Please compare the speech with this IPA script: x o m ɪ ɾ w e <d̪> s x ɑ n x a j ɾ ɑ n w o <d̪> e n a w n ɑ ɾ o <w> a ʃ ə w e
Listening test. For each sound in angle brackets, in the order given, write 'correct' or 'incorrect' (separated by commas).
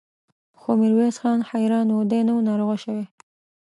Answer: incorrect, correct, incorrect